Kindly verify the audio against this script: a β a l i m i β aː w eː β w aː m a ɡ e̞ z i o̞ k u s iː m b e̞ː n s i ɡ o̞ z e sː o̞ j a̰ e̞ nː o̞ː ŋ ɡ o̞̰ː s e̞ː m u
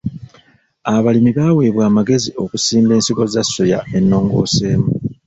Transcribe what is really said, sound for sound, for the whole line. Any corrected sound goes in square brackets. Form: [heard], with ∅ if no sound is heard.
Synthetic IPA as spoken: a β a l i m i β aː w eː β w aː m a ɡ e̞ z i o̞ k u s iː m b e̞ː n s i ɡ o̞ z [a] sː o̞ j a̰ e̞ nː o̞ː ŋ ɡ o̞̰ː s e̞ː m u